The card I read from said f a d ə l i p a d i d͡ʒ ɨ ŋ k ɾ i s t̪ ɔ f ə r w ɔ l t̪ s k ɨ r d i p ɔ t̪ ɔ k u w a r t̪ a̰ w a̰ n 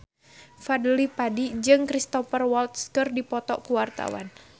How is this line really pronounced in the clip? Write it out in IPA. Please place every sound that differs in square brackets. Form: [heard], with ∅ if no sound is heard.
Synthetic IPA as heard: f a d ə l i p a d i d͡ʒ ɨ ŋ k ɾ i s t̪ ɔ f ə r w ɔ l t̪ s k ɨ r d i p ɔ t̪ ɔ k u w a r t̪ a̰ w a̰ n